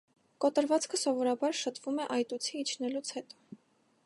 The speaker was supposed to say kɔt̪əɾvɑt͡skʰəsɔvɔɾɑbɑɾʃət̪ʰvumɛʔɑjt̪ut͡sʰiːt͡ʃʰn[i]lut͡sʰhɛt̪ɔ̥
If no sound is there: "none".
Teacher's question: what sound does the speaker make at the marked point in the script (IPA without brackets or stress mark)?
ɛ